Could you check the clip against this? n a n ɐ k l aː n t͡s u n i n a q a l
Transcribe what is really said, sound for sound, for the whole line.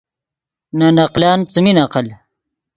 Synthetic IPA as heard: n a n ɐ q l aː n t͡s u m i n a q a l